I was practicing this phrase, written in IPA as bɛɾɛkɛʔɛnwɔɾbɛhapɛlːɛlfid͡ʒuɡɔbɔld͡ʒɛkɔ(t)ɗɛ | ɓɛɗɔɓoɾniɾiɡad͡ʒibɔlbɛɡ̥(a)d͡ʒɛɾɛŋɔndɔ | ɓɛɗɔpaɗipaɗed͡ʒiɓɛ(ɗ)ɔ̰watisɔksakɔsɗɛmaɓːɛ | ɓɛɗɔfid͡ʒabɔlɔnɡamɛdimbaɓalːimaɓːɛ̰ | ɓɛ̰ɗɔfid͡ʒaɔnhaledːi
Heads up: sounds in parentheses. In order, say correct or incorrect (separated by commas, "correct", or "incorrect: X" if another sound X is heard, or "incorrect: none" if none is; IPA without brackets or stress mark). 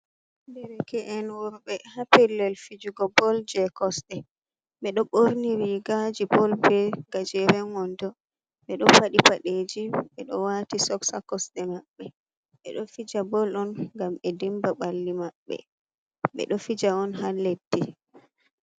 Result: incorrect: s, correct, correct